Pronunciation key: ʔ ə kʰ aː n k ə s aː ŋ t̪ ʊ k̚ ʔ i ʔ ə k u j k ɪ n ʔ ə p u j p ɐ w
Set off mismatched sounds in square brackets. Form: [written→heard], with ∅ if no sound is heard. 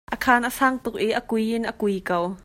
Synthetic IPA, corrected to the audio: ʔ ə kʰ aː n [k→ʔ] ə s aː ŋ t̪ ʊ k̚ ʔ i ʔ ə k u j [k→ʔ] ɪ n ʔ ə [p→k] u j [p→k] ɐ w